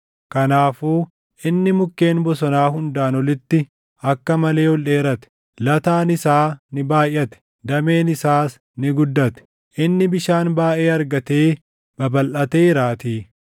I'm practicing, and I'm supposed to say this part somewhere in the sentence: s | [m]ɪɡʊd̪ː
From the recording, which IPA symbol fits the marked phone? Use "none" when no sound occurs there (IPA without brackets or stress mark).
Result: n